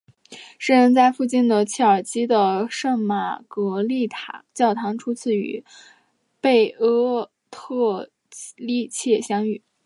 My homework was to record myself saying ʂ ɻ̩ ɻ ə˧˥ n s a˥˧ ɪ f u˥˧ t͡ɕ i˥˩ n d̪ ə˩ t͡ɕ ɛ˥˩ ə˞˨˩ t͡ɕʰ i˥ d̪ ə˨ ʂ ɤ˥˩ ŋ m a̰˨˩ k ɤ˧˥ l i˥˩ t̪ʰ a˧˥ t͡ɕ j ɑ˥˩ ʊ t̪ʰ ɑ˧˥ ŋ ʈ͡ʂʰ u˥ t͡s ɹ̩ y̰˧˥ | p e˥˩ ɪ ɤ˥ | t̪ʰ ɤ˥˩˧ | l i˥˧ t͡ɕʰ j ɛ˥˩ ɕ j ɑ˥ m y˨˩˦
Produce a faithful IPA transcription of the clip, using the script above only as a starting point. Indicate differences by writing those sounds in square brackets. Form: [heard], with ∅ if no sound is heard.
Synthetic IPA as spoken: ʂ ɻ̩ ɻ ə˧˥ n [t͡s] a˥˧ ɪ f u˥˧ t͡ɕ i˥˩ n d̪ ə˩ [t͡ɕʰ] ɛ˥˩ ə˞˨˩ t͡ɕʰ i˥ d̪ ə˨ ʂ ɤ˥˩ ŋ m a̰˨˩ k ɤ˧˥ l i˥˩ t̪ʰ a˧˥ t͡ɕ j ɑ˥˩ ʊ t̪ʰ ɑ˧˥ ŋ ʈ͡ʂʰ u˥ [t͡sʰ] ɹ̩ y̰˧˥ | p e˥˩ ɪ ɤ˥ | t̪ʰ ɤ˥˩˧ | l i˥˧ t͡ɕʰ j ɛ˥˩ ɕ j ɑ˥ [ŋ] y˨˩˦